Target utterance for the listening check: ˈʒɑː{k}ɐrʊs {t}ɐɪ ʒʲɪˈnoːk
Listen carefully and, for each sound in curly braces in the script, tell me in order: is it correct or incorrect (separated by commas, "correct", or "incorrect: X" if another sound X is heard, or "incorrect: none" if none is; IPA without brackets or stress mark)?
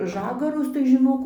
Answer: incorrect: ɡ, correct